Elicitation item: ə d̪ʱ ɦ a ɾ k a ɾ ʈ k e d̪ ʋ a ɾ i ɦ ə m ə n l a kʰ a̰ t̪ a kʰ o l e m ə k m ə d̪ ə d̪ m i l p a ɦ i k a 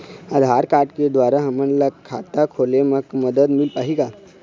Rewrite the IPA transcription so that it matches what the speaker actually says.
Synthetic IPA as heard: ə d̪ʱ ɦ a ɾ k a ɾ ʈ k e d̪ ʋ a ɾ a ɦ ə m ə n l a kʰ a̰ t̪ a kʰ o l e m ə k m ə d̪ ə d̪ m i l p a ɦ i k a